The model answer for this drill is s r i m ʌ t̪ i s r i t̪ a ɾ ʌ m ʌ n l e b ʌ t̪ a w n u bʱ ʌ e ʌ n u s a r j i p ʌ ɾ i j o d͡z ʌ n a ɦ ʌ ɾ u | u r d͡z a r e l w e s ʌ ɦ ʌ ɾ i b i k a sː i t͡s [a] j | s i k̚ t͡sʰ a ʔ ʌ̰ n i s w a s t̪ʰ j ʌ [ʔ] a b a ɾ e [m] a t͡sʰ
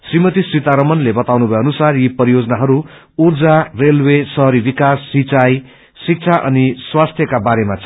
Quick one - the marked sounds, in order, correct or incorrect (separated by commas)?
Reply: correct, incorrect, correct